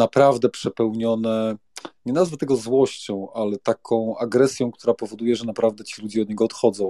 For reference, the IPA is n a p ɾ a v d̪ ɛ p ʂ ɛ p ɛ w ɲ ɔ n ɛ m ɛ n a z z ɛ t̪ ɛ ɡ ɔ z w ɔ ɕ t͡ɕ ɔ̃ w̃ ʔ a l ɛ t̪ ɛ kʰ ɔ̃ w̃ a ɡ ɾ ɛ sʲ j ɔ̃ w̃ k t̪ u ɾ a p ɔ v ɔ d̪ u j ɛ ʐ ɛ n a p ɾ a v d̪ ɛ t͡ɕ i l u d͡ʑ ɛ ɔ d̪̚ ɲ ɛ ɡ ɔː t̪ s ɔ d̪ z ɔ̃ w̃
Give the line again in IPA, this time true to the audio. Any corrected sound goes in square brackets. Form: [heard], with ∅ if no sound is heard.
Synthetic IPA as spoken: n a p ɾ a v d̪ ɛ p ʂ ɛ p ɛ w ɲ ɔ n ɛ [ɲ] ɛ n a z [v] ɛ t̪ ɛ ɡ ɔ z w ɔ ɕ t͡ɕ ɔ̃ w̃ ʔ a l ɛ t̪ [a] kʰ ɔ̃ w̃ a ɡ ɾ ɛ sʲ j ɔ̃ w̃ k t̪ u ɾ a p ɔ v ɔ d̪ u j ɛ ʐ ɛ n a p ɾ a v d̪ ɛ t͡ɕ i l u d͡ʑ ɛ ɔ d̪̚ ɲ ɛ ɡ ɔː t̪ [x] ɔ d̪ z ɔ̃ w̃